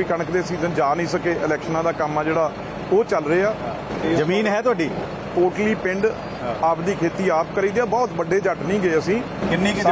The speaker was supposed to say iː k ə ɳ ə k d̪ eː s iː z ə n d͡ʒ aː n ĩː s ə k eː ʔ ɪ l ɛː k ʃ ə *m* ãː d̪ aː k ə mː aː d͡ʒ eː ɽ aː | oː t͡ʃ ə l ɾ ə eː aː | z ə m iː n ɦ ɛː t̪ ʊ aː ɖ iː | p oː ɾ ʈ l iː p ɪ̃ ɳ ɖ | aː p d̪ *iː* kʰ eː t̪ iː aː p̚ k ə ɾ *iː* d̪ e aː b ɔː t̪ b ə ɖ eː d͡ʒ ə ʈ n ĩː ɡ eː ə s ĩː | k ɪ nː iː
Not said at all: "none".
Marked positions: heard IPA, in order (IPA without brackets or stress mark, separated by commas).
n, iː, iː